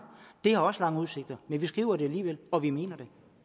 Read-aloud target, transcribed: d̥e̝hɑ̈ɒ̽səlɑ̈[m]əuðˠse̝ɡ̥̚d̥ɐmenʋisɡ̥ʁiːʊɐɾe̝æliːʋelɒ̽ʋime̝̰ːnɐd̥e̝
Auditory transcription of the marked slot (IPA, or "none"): ŋ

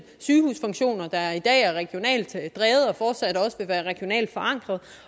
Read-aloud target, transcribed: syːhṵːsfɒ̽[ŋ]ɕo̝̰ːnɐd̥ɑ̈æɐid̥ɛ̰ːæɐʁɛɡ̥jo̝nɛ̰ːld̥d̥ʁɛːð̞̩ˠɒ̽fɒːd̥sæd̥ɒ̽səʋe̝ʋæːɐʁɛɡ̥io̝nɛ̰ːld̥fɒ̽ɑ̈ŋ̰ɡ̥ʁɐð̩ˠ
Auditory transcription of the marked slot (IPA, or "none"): ŋ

